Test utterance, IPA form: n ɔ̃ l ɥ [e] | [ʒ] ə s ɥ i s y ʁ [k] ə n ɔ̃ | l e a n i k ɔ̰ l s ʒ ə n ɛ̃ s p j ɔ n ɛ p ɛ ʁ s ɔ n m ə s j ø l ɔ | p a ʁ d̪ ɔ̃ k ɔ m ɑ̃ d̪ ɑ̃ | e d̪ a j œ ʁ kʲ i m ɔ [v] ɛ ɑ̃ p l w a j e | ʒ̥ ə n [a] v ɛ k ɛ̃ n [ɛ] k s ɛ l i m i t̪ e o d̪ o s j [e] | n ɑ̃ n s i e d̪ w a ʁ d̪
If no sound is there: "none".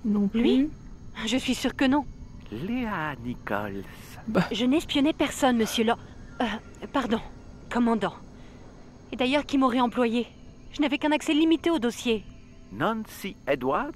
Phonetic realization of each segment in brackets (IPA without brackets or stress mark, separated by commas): i, ʒ, k, ʁ, a, a, e